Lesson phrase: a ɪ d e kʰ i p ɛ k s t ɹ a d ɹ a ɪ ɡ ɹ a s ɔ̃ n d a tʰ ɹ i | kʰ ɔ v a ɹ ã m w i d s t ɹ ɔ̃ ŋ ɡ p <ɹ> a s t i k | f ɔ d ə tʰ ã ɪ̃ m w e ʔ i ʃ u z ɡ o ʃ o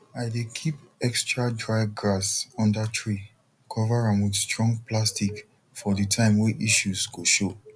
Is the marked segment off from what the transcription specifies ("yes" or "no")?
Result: yes